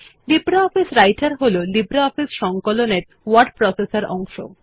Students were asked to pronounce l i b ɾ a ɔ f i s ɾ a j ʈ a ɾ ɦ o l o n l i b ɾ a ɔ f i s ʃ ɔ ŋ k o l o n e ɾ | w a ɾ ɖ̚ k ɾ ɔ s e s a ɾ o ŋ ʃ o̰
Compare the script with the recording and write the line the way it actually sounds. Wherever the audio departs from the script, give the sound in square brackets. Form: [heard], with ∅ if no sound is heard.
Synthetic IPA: l i b ɾ a ɔ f i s ɾ a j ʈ a ɾ ɦ o l o [∅] l i b ɾ a ɔ f i s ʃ ɔ ŋ k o l o n e ɾ | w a ɾ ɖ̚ [p] ɾ ɔ s e s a ɾ [ɔ] ŋ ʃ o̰